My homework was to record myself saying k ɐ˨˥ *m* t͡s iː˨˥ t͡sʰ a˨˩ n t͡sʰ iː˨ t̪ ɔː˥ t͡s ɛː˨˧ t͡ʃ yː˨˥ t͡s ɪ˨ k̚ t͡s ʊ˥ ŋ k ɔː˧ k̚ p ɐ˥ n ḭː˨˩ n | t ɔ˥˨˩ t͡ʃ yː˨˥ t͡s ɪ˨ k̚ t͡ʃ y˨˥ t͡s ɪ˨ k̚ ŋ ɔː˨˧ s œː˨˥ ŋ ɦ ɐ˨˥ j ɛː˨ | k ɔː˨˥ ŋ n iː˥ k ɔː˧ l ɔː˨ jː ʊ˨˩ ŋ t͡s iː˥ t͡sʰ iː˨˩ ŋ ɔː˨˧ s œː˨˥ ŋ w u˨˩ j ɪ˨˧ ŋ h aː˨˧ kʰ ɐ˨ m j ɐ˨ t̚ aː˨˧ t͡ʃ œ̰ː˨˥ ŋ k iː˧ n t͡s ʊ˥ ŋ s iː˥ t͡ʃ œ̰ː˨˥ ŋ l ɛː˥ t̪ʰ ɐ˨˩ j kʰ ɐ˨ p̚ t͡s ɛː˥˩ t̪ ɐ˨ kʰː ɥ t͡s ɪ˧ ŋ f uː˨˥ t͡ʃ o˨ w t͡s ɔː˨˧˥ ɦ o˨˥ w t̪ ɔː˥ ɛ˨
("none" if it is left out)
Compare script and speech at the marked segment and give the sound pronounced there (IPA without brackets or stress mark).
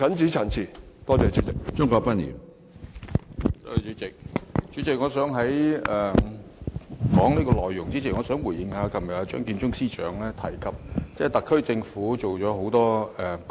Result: n